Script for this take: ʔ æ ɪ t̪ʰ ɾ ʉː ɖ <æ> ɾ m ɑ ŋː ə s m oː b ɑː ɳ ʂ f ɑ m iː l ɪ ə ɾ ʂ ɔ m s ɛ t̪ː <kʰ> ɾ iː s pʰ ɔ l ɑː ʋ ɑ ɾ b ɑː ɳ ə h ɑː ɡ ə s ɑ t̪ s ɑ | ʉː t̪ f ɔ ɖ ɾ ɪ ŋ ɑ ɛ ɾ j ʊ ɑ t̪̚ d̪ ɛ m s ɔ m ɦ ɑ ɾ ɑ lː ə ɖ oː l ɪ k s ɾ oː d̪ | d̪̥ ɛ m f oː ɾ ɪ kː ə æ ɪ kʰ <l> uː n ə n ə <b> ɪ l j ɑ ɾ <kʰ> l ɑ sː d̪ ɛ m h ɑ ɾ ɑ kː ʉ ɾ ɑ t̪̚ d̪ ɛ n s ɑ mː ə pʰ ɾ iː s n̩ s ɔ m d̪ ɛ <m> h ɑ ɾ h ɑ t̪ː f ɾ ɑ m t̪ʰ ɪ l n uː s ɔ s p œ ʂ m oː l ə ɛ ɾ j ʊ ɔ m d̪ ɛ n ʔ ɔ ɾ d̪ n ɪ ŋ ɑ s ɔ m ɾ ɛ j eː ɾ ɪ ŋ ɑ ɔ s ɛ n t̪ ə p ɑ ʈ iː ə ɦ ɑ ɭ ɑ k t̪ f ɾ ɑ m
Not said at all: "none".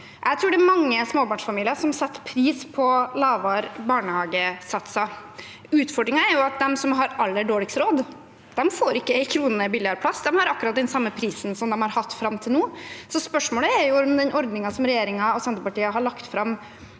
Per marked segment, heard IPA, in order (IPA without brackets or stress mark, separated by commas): ɛ, pʰ, ɾ, b, pʰ, m